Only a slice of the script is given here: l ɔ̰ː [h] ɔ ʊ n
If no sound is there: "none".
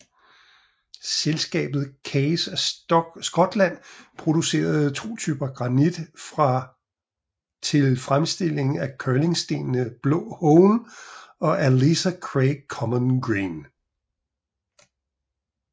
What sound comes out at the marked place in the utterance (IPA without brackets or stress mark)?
h